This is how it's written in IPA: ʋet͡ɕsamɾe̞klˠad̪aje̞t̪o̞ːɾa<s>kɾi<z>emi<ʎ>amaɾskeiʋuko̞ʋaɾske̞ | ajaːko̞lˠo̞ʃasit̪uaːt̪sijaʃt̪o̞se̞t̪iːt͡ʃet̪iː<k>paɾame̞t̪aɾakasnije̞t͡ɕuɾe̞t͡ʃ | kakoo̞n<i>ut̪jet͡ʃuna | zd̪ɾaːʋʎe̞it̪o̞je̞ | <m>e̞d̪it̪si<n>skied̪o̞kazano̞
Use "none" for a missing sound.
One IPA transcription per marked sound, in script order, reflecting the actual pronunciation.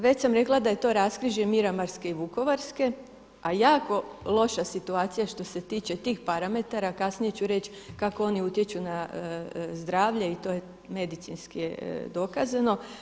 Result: s, ʒ, ɾ, x, i, m, n

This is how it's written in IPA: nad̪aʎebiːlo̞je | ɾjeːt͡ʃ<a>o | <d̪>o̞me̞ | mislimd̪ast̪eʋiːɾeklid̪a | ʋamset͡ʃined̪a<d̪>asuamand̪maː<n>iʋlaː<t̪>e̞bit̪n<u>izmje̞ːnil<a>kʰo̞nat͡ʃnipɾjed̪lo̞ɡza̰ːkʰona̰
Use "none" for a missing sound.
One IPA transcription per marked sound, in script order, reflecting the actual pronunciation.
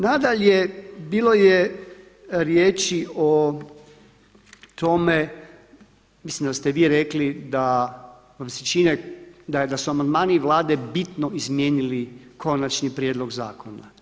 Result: i, t̪, d̪, n, d̪, o, i

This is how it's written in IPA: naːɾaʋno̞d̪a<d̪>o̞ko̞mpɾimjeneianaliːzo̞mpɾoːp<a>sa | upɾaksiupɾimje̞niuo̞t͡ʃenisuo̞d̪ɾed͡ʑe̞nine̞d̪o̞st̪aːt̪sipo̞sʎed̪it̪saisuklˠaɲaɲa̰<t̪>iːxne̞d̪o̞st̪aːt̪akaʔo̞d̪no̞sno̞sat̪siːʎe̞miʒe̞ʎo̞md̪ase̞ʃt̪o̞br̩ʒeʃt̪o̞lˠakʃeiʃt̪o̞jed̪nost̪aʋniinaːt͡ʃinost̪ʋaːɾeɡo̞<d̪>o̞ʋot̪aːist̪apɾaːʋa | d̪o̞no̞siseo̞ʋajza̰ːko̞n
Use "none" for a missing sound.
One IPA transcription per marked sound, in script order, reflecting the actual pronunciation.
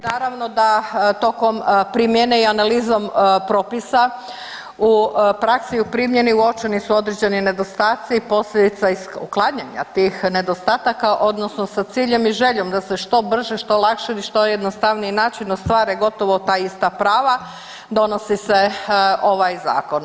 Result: t̪, i, t̪, t̪

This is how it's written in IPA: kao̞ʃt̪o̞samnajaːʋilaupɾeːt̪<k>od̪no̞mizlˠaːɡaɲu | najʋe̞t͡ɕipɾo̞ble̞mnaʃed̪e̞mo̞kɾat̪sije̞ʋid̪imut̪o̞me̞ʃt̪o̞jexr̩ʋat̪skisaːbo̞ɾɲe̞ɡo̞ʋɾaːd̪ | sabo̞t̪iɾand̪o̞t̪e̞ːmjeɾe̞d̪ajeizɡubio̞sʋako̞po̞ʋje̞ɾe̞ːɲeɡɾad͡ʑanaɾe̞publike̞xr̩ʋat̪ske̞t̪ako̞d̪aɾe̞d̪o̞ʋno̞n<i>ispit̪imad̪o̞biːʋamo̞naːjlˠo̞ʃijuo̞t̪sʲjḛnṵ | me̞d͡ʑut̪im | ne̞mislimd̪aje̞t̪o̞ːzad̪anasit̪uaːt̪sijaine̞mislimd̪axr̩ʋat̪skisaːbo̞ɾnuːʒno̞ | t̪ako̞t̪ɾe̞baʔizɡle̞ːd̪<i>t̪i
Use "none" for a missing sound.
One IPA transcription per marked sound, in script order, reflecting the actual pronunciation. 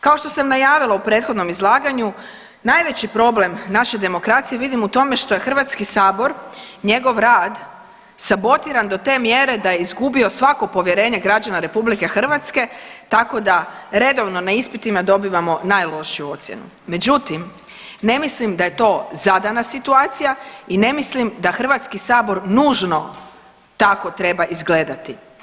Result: x, a, a

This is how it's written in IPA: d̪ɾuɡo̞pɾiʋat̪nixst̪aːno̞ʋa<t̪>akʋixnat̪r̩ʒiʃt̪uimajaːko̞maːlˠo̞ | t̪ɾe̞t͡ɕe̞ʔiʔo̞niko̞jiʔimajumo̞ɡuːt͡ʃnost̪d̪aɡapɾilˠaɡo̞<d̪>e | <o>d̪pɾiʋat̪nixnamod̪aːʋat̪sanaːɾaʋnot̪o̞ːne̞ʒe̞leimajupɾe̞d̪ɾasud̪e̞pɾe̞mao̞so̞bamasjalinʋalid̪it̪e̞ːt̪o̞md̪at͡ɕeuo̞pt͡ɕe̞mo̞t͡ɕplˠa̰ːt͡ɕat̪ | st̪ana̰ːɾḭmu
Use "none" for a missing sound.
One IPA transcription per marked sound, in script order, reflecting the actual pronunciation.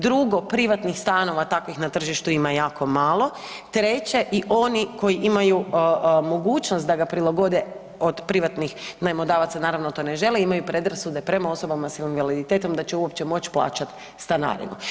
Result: t̪, d̪, o

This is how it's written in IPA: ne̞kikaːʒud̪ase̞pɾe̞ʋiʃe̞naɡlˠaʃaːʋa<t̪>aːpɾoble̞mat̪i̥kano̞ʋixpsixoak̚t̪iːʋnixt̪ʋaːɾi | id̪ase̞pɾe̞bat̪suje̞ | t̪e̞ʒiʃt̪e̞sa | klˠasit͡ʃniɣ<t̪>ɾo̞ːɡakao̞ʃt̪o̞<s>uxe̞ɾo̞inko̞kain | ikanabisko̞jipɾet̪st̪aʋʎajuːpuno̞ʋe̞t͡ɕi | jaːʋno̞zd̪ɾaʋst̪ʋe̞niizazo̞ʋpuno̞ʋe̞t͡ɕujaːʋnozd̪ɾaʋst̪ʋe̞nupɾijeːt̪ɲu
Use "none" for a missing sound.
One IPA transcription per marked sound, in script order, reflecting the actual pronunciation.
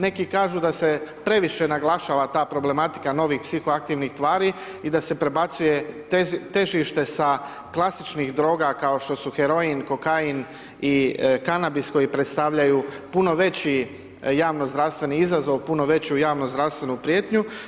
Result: t̪, d̪, s

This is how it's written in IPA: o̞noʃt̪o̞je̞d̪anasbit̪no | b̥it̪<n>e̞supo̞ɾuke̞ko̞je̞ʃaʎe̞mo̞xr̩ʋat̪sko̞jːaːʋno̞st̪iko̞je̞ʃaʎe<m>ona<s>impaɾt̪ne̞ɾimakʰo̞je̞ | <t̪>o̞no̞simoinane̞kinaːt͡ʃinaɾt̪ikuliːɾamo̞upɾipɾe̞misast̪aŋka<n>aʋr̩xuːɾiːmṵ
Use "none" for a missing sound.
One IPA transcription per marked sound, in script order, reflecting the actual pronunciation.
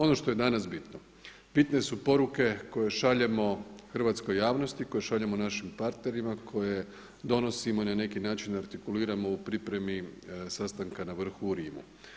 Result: n, m, ʃ, d̪, n

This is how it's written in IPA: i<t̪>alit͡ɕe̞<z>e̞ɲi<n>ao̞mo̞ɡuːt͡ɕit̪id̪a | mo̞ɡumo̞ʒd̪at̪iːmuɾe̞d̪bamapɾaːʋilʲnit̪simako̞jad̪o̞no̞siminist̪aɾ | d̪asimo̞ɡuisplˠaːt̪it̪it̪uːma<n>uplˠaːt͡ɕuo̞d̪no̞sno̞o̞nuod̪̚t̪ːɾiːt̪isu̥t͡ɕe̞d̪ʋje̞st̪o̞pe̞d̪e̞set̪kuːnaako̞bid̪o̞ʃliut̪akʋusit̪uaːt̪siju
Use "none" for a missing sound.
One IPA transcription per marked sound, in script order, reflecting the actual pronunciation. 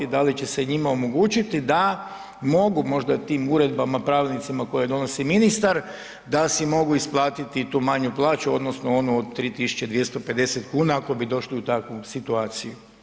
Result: d̪, s, m, ɲ

